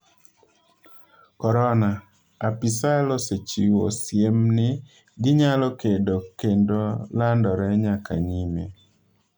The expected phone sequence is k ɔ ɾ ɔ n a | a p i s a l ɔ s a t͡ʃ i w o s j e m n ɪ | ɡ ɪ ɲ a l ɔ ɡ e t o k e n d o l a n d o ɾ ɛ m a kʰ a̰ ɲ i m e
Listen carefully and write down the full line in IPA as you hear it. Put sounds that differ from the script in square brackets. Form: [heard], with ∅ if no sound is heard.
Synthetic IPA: k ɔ ɾ ɔ n a | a p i s a l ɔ s [e] t͡ʃ i w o s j e m n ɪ | ɡ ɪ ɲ a l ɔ [k] e [d] o k e n d o l a n d [ɔ] ɾ ɛ [ɲ] a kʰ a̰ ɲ i m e